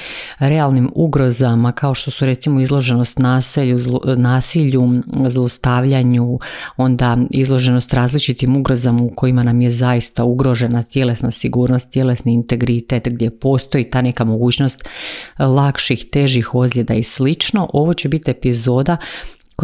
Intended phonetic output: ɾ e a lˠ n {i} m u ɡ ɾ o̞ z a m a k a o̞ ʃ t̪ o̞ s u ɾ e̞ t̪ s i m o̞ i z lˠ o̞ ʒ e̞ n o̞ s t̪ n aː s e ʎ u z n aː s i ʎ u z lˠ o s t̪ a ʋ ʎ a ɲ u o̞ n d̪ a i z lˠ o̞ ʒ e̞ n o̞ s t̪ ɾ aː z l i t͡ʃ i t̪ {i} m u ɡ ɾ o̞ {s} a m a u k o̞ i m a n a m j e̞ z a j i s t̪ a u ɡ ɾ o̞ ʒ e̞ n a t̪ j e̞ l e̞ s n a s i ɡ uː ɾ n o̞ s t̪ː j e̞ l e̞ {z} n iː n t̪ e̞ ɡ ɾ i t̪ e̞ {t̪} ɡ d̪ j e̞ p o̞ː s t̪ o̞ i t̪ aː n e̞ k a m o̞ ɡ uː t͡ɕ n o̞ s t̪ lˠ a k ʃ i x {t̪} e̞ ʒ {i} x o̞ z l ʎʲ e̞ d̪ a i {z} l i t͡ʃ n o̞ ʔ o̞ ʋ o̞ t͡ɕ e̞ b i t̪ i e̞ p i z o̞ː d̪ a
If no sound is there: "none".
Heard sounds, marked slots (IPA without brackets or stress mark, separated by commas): i, i, z, s, t̪, t̪, i, s